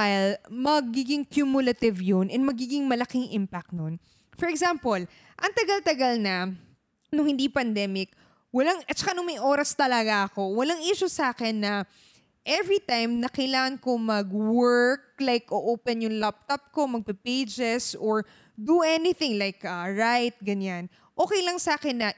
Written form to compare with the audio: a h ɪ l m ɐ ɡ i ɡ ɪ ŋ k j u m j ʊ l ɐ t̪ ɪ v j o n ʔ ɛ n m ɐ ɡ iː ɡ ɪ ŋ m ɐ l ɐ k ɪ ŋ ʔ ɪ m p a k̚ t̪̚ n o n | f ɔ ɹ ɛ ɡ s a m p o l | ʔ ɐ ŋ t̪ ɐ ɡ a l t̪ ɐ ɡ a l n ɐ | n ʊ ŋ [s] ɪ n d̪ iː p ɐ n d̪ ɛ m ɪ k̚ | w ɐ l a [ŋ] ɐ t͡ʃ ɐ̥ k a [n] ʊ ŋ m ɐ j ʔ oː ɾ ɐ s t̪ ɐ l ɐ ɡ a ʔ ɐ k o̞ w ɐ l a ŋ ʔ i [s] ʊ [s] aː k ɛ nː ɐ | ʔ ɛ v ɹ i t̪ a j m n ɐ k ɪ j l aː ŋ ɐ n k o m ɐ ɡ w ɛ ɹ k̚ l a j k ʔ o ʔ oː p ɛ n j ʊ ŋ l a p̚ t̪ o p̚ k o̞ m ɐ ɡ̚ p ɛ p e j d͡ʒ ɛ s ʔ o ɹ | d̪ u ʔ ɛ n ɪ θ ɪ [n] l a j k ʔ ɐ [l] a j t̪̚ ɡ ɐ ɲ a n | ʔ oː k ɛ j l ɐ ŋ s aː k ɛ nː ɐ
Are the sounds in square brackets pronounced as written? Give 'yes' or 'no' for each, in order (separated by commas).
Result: no, yes, yes, no, yes, no, no